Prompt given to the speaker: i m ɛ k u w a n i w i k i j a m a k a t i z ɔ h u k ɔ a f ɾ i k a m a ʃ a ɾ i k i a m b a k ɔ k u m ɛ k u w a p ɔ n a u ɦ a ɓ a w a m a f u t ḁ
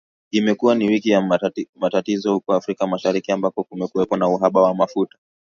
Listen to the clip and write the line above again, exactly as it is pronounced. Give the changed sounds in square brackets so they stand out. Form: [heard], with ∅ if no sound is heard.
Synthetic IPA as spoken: i m ɛ k u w a n i w i k i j a m a [t] a t i z ɔ h u k ɔ a f ɾ i k a m a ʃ a ɾ i k i a m b a k ɔ k u m ɛ k u w [ɛ] p ɔ n a u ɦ a ɓ a w a m a f u t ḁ

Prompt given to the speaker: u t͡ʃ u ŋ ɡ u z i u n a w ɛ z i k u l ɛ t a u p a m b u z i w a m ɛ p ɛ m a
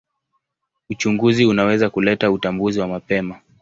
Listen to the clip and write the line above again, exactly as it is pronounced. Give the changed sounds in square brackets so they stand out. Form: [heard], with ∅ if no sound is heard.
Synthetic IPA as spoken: u t͡ʃ u ŋ ɡ u z i u n a w ɛ z [a] k u l ɛ t a u [t] a m b u z i w a m [a] p ɛ m a

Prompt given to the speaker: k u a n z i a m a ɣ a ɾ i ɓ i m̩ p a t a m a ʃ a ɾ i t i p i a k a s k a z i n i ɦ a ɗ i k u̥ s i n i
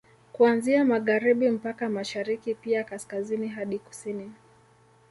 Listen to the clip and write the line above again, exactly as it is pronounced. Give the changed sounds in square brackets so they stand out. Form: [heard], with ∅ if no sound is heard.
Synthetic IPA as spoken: k u a n z i a m a ɣ a ɾ i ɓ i m̩ p a [k] a m a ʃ a ɾ i [k] i p i a k a s k a z i n i ɦ a ɗ i k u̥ s i n i

